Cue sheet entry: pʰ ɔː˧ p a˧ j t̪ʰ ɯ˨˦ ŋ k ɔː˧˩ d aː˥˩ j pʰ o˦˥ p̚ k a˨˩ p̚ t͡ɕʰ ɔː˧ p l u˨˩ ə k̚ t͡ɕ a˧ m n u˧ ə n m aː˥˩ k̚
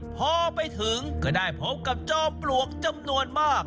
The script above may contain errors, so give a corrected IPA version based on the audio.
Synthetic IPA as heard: pʰ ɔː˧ p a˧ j t̪ʰ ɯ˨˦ ŋ k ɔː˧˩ d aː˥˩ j pʰ o˦˥ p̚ k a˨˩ p̚ t͡ɕ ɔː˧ p l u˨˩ ə k̚ t͡ɕ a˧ m n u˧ ə n m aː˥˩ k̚